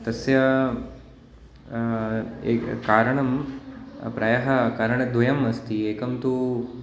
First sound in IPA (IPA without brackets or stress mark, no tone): t̪